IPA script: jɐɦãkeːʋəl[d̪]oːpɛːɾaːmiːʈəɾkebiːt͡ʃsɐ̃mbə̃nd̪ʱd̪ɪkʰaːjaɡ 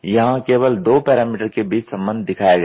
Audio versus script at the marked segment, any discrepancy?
no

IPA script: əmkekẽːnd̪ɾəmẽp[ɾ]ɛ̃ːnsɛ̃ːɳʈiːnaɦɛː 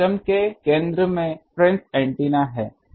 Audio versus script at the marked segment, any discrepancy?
no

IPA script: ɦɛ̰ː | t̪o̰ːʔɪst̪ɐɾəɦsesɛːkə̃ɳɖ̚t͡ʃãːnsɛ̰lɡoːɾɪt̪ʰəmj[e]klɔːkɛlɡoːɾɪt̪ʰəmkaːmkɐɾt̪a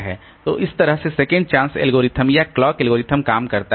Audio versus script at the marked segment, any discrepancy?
yes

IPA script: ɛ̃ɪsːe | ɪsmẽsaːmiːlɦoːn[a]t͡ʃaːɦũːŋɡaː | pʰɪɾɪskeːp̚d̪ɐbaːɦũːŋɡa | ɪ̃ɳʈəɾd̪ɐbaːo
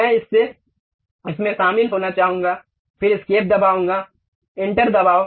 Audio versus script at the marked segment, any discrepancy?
no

